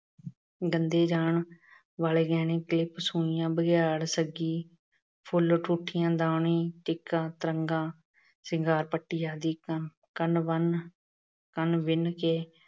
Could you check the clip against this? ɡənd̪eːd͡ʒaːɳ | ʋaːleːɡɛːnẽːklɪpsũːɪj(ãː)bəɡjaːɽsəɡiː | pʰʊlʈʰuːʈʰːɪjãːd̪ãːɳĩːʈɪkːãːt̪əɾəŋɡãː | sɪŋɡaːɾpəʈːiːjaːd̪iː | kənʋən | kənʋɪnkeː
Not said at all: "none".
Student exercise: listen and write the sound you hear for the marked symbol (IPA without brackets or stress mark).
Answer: ãː